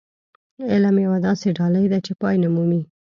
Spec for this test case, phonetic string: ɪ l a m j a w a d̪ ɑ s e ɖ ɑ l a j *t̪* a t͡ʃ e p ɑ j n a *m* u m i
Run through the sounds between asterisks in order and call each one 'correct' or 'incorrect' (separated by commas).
incorrect, correct